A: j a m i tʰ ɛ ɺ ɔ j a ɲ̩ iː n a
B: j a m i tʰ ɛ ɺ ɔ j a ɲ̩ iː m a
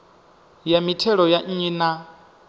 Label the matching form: A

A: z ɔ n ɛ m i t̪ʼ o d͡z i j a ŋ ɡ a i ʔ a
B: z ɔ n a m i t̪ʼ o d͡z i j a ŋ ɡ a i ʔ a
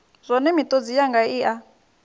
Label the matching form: A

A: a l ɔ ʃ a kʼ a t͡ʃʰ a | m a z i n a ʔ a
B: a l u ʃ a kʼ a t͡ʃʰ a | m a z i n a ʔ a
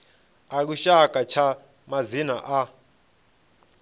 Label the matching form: B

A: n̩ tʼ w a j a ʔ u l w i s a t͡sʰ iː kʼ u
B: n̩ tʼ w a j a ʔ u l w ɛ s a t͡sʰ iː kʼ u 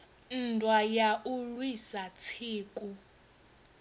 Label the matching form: A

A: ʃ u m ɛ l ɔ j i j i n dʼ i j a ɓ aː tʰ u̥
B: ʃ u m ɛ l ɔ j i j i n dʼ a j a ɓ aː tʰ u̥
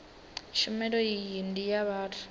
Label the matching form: A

